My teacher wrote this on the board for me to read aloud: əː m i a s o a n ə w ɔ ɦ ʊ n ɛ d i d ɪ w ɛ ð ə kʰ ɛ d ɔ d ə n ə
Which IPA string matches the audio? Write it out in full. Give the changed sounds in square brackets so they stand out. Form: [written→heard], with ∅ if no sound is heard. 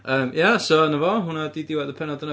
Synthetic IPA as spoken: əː m [i→j] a s o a n ə [w→v] ɔ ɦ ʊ n [ɛ→a] d i d ɪ w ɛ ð ə [kʰ→pʰ] ɛ [d→n] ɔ d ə n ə